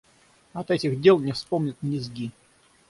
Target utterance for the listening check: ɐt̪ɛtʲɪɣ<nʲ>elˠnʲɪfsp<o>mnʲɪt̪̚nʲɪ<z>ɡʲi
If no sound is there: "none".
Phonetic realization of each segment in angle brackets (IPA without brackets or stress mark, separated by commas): dʲ, o, z